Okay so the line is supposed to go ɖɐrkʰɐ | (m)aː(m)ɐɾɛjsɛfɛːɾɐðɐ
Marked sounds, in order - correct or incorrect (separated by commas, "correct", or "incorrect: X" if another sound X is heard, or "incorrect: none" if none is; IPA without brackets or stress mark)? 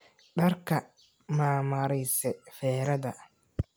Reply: correct, correct